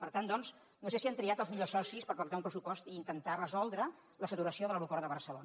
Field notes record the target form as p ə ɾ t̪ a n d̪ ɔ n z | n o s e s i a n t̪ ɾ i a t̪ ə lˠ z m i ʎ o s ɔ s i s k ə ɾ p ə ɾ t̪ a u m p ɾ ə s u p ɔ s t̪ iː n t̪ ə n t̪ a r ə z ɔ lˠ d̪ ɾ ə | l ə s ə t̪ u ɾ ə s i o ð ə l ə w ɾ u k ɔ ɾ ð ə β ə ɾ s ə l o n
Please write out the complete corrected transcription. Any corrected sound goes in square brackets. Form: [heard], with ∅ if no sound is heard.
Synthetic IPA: p ə ɾ t̪ a n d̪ ɔ n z | n o s e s i a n t̪ ɾ i a t̪ ə lˠ z m i ʎ o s ɔ s i s [p] ə ɾ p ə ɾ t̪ a u m p ɾ ə s u p ɔ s t̪ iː n t̪ ə n t̪ a r ə z ɔ lˠ d̪ ɾ ə | l ə s ə t̪ u ɾ ə s i o ð ə l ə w ɾ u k ɔ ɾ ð ə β ə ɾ s ə l o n